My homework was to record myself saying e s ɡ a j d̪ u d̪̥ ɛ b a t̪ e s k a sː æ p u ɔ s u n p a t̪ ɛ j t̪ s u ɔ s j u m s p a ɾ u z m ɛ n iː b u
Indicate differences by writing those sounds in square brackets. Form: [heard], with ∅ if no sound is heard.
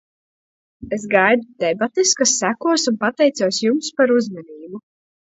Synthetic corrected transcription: e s ɡ a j d̪ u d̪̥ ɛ b a t̪ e s k a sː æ [k] u ɔ s u n p a t̪ ɛ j t̪ s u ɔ s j u m s p a ɾ u z m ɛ n iː b u